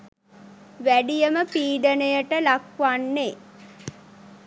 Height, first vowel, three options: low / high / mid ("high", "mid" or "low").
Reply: low